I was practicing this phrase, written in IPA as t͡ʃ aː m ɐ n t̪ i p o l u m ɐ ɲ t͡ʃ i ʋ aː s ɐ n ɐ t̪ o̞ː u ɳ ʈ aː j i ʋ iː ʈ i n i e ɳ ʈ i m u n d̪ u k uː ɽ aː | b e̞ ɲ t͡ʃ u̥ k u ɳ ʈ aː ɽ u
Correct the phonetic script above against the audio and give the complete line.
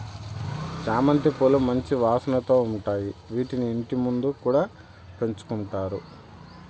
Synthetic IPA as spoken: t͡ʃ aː m ɐ n t̪ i p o l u m ɐ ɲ t͡ʃ i ʋ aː s ɐ n ɐ t̪ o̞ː u ɳ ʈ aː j i ʋ iː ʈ i n i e ɳ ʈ i m u n d̪ u k uː ɽ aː | p e̞ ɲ t͡ʃ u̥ k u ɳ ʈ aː ɾ u